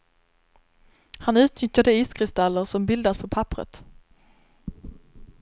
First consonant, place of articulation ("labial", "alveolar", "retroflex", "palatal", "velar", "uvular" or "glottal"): glottal